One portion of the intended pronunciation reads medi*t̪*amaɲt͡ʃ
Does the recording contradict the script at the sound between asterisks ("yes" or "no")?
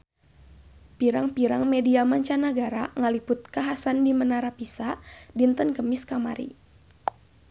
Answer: yes